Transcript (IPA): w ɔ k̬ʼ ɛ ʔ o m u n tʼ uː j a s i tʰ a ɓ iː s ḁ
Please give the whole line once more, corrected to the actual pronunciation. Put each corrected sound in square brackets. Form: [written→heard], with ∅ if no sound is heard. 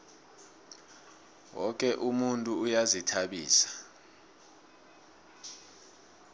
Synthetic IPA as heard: w ɔ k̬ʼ ɛ ʔ [o→u] m u n tʼ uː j a [s→z] i tʰ a ɓ iː s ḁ